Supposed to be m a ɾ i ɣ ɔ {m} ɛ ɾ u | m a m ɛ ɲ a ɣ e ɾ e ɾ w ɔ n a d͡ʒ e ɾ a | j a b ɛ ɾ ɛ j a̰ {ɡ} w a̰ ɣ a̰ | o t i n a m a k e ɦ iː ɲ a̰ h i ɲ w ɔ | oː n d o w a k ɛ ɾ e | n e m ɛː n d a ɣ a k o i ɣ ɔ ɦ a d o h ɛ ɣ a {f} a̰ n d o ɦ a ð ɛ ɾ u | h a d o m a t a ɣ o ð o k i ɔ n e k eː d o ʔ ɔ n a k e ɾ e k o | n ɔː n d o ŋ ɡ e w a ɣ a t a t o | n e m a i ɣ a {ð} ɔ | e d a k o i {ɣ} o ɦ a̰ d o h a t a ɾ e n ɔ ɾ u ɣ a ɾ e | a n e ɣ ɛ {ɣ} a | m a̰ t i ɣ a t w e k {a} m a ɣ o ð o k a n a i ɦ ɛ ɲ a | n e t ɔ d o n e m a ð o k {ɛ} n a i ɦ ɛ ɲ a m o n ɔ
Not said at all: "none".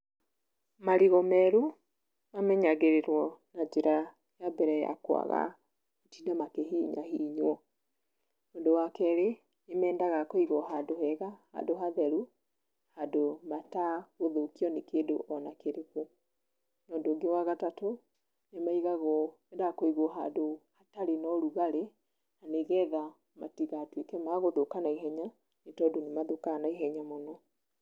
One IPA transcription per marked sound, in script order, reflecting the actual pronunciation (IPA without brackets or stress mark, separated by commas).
m, k, h, ɣ, ɣ, ð, ɛ, a